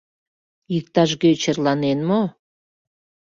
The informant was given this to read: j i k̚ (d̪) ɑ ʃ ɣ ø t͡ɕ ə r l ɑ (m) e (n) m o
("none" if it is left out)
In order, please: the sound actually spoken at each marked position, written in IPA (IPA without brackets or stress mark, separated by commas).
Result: t̪, n, n